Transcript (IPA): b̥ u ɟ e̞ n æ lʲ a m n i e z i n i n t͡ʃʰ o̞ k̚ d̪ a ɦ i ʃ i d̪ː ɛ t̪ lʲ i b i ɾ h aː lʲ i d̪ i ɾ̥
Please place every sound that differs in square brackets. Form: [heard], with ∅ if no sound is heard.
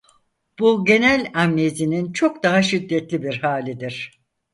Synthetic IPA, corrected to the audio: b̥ u ɟ e̞ n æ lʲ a m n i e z i n i n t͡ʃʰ o̞ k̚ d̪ a ɦ [a] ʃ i d̪ː ɛ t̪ lʲ i b i ɾ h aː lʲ i d̪ i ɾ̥